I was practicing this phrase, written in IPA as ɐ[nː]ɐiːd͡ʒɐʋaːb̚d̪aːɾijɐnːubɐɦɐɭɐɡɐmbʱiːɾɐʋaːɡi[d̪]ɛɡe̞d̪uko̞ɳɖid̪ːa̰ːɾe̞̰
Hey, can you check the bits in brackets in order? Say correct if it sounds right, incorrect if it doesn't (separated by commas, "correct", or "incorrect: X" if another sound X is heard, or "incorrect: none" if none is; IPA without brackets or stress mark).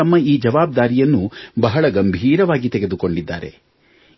incorrect: mː, incorrect: t̪